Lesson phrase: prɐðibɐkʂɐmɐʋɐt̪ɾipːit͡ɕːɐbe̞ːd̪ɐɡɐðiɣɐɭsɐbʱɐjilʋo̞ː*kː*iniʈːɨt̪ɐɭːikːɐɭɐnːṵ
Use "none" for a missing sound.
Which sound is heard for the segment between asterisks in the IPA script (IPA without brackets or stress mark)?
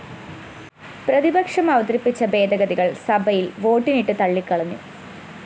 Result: ʈː